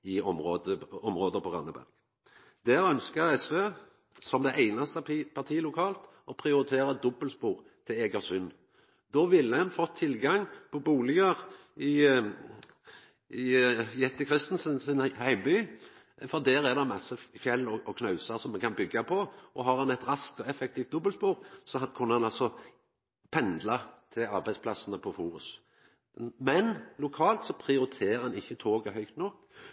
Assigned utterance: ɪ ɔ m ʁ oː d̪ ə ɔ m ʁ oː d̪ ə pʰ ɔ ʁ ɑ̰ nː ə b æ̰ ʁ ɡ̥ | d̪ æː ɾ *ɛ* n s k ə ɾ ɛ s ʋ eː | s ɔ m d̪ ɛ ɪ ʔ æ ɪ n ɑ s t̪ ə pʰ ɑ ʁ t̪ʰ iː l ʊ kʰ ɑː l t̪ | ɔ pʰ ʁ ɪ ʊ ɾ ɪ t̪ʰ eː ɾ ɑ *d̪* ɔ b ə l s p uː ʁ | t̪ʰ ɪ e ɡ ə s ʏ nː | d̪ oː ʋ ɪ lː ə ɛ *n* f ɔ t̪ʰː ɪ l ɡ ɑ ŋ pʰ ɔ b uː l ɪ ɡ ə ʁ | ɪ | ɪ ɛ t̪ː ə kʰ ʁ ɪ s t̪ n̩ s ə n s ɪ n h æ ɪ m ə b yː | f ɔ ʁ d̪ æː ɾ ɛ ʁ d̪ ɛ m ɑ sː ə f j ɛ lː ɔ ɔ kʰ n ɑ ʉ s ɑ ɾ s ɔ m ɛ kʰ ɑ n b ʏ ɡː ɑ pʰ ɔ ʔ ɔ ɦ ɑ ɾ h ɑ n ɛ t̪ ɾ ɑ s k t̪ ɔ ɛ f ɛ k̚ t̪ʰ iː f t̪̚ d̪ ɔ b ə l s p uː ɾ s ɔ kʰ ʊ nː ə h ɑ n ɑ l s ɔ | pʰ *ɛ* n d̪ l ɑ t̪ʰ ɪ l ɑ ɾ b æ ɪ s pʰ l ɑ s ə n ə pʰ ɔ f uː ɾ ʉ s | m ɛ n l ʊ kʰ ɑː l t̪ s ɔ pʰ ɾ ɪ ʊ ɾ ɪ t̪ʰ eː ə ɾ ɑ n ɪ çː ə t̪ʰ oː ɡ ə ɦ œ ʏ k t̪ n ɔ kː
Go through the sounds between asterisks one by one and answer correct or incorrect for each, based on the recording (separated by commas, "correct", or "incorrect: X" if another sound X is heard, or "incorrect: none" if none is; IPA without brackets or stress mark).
incorrect: œ, correct, correct, correct